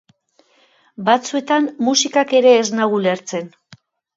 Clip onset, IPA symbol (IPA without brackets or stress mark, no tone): b